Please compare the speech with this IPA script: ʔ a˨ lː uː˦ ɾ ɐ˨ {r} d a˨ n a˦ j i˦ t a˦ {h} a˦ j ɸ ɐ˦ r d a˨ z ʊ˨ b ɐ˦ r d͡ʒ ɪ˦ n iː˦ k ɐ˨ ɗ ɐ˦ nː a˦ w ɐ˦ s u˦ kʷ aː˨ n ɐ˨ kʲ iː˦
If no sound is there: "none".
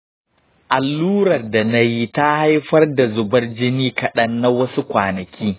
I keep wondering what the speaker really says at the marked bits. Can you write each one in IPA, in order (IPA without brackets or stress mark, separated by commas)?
r, h